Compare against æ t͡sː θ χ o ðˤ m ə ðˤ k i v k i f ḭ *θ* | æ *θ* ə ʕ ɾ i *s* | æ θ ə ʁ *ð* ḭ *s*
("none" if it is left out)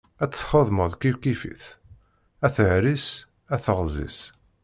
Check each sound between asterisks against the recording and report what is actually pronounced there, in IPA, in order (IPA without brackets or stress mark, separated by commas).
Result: θ, θ, s, z, s